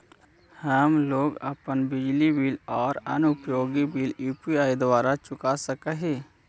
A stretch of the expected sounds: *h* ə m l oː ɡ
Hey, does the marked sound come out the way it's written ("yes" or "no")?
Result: yes